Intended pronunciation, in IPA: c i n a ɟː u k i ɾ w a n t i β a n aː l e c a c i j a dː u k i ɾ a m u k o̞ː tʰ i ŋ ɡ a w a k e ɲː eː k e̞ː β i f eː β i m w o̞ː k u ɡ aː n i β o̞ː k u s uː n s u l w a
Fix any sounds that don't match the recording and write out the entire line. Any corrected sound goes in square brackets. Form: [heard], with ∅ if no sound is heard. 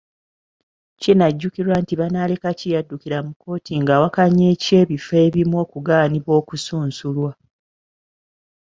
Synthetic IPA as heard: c i n a ɟː u k i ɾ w a n t i β a n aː l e [k] a c i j a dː u k i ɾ a m u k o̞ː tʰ i ŋ ɡ a w a k [a] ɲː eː [c] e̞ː β i f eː β i m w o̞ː k u ɡ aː n i β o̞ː k u s uː n s u l w a